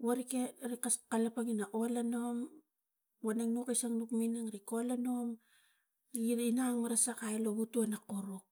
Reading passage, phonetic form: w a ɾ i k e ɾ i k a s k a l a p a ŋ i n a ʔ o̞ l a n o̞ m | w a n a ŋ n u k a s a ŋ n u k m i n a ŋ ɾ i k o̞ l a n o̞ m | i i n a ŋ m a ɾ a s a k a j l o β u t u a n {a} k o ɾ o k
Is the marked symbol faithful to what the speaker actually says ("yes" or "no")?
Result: yes